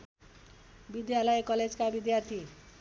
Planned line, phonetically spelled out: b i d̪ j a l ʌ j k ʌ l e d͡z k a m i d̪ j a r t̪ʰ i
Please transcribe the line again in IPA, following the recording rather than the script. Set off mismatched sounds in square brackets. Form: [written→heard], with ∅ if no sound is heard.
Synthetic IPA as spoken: b i d̪ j a l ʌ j k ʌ l e d͡z k a [m→b] i d̪ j a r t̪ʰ i